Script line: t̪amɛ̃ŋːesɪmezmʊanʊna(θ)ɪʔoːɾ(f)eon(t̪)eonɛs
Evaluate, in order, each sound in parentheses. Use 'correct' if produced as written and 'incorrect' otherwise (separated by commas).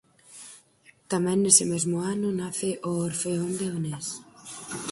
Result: correct, correct, incorrect